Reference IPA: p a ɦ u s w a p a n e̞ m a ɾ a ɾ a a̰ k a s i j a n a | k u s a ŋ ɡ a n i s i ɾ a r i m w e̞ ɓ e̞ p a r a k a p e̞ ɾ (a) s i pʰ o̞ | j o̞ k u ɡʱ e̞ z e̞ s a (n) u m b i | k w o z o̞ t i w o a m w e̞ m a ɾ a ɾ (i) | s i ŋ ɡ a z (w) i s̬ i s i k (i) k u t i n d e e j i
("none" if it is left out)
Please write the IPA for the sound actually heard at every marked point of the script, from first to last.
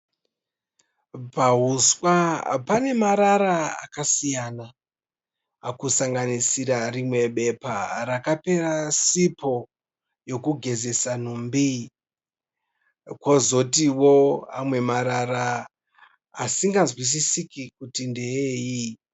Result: a, n, a, w, i

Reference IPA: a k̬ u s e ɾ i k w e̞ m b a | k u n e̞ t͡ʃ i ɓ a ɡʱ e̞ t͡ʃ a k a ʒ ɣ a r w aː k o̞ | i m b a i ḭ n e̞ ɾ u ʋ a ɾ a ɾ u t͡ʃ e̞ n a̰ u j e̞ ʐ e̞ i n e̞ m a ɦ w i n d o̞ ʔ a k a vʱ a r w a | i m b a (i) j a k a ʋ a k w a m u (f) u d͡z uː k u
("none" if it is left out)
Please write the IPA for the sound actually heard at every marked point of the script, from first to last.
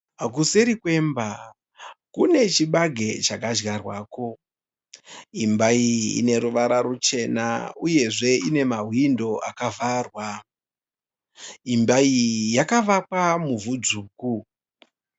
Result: i, v

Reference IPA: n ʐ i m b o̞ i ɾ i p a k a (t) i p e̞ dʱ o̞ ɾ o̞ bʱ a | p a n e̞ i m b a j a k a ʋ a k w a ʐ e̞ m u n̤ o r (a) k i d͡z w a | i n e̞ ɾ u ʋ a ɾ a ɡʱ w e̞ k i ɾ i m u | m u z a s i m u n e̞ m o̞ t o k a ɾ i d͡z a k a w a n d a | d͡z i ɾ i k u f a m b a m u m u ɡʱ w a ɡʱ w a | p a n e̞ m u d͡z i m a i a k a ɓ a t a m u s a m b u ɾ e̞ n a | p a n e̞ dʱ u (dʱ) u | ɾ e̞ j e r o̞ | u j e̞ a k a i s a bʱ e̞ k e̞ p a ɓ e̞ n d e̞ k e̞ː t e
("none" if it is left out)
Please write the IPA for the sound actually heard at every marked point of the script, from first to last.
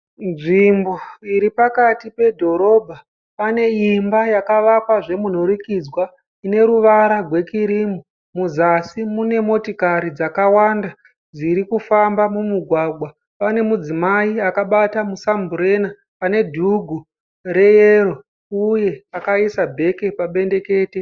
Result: t, i, ɡʱ

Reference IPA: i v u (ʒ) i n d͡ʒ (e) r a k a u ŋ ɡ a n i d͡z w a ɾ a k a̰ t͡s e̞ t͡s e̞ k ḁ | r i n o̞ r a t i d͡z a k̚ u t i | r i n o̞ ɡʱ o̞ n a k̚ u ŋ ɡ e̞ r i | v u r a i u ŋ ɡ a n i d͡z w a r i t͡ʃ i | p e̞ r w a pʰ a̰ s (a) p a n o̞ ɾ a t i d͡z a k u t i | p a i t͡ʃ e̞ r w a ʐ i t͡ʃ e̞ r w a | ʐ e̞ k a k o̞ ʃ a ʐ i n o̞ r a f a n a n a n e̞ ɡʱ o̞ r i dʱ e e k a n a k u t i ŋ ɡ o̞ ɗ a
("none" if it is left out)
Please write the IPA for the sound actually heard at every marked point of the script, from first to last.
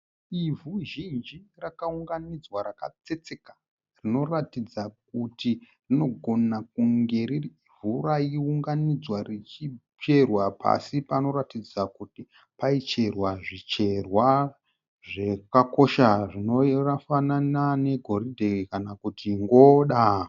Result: ʒ, i, i

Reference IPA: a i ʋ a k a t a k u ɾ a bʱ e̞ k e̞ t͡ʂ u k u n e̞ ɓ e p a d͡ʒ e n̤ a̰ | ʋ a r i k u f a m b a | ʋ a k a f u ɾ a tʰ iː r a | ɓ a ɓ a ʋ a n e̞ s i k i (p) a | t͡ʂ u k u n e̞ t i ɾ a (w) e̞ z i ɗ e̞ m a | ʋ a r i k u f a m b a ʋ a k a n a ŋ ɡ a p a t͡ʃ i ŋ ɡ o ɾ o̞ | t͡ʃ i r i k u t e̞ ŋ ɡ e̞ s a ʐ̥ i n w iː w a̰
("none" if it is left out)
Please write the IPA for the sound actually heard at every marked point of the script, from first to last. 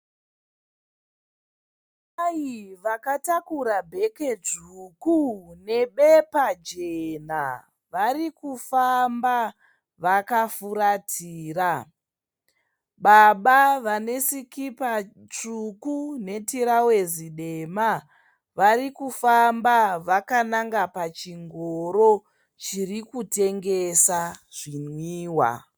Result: p, w

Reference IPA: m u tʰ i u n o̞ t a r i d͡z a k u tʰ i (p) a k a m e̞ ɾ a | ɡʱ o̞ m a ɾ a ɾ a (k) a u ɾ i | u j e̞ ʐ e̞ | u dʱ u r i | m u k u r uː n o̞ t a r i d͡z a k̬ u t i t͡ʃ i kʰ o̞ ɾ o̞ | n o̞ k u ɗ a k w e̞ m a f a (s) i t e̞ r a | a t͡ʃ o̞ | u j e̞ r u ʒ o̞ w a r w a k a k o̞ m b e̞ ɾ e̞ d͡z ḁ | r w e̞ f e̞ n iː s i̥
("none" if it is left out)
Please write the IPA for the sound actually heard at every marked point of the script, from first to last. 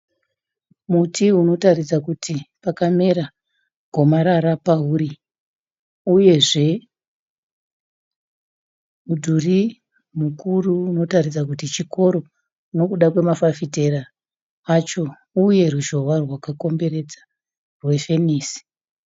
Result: p, p, f

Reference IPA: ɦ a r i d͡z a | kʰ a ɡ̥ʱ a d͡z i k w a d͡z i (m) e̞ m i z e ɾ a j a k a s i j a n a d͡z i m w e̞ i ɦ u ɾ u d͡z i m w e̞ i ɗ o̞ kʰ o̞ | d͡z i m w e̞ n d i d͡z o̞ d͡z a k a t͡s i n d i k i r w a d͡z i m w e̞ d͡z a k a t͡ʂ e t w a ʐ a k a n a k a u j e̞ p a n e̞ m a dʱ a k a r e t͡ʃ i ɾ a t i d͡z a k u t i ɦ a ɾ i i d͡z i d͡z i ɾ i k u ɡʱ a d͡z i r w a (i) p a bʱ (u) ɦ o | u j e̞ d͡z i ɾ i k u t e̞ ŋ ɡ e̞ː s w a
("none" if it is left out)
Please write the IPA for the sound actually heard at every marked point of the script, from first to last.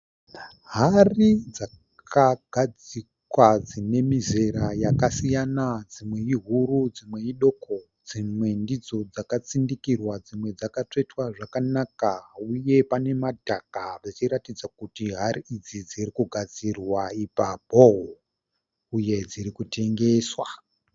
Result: n, i, o

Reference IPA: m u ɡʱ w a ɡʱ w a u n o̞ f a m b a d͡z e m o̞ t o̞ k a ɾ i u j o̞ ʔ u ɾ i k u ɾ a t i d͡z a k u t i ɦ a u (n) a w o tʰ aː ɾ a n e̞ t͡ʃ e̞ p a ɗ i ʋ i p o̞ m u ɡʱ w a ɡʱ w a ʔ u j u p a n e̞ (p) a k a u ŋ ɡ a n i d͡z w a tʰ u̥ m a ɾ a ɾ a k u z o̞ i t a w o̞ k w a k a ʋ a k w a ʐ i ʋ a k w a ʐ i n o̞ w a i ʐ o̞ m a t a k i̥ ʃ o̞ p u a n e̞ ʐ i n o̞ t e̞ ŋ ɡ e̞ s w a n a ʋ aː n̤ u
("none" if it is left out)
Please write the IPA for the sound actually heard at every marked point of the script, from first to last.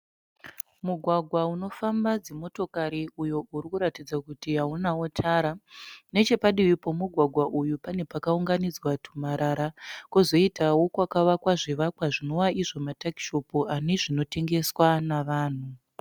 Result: n, p

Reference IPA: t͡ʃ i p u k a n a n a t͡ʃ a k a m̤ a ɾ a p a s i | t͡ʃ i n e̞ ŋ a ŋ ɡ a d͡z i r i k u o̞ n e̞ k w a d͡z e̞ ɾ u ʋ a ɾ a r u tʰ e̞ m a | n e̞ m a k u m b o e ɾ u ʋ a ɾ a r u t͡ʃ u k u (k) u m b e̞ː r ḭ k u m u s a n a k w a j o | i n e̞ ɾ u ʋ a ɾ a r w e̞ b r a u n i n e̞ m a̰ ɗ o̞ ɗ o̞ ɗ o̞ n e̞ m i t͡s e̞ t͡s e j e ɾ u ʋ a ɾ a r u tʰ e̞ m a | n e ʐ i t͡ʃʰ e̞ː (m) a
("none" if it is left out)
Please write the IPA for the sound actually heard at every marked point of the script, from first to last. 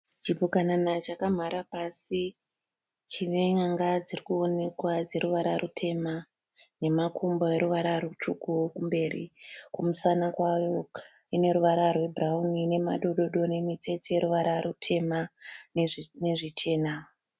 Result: k, n

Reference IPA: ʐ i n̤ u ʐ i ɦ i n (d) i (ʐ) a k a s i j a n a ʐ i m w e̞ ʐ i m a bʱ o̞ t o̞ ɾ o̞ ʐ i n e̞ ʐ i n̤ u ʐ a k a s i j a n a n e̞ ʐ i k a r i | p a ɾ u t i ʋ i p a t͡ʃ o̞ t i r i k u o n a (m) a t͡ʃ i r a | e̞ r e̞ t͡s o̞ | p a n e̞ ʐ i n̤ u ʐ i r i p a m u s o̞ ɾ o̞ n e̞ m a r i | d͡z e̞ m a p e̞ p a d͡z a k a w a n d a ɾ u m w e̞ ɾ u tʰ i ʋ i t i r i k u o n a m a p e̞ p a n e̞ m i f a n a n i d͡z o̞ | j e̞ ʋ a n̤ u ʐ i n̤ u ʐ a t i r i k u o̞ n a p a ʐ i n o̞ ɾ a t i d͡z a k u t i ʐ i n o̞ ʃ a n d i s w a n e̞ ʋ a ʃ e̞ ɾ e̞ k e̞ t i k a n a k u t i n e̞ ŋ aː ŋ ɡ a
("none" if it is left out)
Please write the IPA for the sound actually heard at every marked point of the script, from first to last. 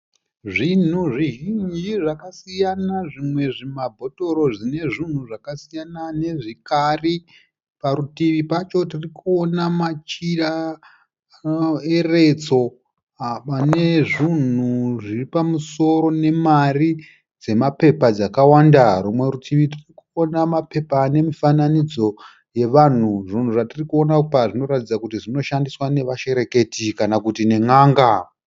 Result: d͡ʒ, ʐ, m

